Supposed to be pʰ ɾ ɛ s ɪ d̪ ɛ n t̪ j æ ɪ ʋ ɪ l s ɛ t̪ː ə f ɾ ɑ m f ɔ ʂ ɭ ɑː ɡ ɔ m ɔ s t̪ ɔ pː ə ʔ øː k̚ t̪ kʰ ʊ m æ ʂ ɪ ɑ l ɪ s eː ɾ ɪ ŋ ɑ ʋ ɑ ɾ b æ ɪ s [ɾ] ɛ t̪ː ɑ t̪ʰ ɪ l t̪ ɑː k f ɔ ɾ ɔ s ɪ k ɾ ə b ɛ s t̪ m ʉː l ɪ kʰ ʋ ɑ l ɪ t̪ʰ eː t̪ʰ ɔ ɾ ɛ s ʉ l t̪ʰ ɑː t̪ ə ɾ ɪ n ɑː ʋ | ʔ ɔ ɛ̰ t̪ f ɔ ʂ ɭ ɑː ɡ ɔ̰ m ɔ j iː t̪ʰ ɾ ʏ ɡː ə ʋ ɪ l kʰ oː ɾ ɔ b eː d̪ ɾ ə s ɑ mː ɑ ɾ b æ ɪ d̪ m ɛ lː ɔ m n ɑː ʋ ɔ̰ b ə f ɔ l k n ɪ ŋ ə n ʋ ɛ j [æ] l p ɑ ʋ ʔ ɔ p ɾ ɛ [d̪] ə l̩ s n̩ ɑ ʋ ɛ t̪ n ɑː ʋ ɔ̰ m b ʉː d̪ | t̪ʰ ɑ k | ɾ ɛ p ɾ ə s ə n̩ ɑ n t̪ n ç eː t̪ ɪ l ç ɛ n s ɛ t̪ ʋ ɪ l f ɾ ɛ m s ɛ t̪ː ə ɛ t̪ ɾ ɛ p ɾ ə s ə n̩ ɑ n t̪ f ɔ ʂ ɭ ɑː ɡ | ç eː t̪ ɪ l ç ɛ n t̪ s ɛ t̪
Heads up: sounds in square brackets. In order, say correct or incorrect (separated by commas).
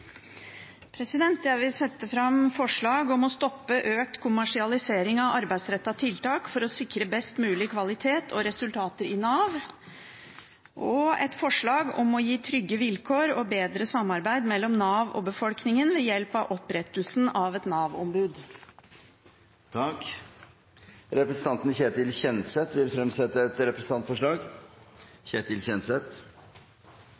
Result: correct, incorrect, incorrect